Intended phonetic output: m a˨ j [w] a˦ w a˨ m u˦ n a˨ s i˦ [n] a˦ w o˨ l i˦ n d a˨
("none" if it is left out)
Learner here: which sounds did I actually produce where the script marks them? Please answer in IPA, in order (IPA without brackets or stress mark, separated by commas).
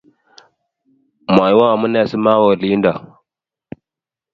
w, m